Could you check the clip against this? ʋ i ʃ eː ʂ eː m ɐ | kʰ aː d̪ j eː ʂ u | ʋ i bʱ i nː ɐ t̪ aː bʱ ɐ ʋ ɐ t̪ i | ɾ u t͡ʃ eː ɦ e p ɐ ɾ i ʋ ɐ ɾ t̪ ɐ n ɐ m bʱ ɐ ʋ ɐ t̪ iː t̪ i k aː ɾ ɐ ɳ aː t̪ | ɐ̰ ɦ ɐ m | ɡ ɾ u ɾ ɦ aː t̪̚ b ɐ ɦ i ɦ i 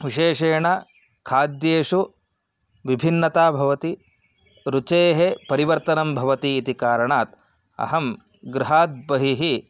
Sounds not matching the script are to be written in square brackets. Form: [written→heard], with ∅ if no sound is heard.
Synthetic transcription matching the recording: ʋ i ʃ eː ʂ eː [m→ɳ] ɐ | kʰ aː d̪ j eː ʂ u | ʋ i bʱ i nː ɐ t̪ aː bʱ ɐ ʋ ɐ t̪ i | ɾ u t͡ʃ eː ɦ e p ɐ ɾ i ʋ ɐ ɾ t̪ ɐ n ɐ m bʱ ɐ ʋ ɐ t̪ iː t̪ i k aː ɾ ɐ ɳ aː t̪ | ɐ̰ ɦ ɐ m | ɡ ɾ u [ɾ→∅] ɦ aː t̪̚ b ɐ ɦ i ɦ i